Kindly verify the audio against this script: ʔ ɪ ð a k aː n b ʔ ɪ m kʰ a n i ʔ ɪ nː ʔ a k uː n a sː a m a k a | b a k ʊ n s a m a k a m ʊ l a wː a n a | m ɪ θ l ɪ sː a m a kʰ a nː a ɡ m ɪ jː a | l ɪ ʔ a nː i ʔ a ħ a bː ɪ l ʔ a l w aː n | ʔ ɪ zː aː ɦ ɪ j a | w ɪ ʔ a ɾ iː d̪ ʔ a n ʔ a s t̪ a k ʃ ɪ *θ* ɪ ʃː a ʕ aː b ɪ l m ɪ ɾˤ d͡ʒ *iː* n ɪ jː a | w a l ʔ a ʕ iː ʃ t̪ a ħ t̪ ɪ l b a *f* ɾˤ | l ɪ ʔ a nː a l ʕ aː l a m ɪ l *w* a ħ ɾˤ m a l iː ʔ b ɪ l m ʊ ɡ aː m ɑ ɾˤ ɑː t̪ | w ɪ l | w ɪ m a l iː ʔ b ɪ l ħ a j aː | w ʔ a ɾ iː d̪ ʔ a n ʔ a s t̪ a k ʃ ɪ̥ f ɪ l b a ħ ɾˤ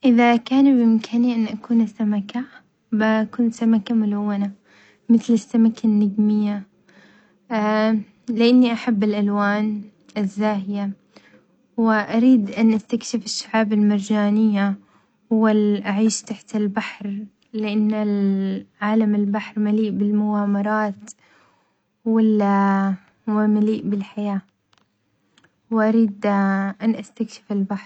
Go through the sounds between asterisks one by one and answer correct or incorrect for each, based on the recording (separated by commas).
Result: incorrect, incorrect, incorrect, incorrect